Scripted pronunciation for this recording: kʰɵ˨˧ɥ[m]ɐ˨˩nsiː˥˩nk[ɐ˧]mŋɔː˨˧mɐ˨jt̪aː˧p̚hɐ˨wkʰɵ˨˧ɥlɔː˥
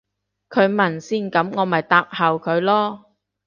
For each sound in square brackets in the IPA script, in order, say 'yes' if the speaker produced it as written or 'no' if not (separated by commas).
yes, no